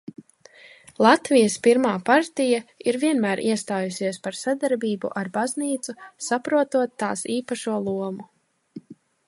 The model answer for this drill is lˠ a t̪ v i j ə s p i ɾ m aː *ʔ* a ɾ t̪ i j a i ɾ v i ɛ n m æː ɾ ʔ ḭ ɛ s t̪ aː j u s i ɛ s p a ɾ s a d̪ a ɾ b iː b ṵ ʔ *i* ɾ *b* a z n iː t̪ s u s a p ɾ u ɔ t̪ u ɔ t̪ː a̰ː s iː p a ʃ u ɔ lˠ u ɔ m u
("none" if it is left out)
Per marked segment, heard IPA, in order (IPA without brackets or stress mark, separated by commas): p, a, b